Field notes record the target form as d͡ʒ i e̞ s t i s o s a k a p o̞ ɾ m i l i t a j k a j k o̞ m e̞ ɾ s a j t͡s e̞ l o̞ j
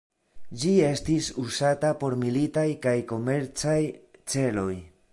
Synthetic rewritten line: d͡ʒ i e̞ s t i s u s a t a p o̞ ɾ m i l i t a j k a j k o̞ m e̞ ɾ t͡s a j t͡s e̞ l o̞ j

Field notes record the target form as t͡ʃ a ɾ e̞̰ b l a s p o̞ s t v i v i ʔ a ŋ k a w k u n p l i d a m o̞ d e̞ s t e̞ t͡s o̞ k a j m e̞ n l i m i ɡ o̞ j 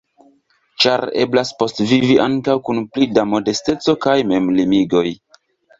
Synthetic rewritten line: t͡ʃ a ɾ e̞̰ b l a s p o̞ s t v i v i ʔ a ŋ k a w k u n p l i d a m o̞ d e̞ s t e̞ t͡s o̞ k a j m e̞ m l i m i ɡ o̞ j

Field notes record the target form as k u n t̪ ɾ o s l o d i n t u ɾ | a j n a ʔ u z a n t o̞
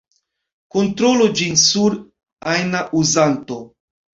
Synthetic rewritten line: k o n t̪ ɾ o l o d͡ʒ i n s u ɾ | a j n a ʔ u z a n t o̞

